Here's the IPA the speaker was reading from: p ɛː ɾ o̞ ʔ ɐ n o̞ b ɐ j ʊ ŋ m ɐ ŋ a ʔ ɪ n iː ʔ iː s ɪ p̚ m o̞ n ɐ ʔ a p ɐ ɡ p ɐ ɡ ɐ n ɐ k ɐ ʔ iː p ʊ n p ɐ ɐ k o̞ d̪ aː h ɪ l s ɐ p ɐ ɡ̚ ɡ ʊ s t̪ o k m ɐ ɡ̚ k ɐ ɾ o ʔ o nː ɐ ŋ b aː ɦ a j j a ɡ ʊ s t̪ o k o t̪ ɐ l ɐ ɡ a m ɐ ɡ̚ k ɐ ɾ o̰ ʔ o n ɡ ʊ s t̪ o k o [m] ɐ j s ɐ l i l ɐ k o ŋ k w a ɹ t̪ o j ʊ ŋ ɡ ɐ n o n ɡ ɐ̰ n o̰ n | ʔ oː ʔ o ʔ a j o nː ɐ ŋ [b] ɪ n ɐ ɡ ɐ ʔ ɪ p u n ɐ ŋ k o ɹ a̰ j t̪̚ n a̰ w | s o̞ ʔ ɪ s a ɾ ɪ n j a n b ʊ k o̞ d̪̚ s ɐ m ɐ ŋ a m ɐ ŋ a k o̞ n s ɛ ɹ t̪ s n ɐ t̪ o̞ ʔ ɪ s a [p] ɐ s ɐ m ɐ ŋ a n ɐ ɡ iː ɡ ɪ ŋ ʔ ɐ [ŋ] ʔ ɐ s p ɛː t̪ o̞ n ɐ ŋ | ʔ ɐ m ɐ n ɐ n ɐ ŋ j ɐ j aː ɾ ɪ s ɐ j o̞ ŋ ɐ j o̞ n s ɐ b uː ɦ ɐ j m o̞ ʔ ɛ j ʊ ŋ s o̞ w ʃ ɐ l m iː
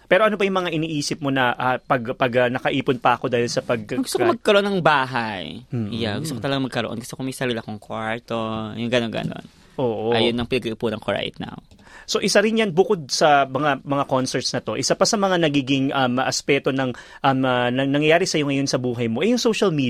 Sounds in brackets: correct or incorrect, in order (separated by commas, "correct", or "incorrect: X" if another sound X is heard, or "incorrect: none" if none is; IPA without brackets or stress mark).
correct, incorrect: p, correct, incorrect: m